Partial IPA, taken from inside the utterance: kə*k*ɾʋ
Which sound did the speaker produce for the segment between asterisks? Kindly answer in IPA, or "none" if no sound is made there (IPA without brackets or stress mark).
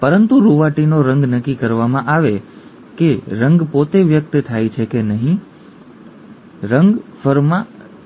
none